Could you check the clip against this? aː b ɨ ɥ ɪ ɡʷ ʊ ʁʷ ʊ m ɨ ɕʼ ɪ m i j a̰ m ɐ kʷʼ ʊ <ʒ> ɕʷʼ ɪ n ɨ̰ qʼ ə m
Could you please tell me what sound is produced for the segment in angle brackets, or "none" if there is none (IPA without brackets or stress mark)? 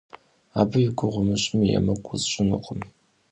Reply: z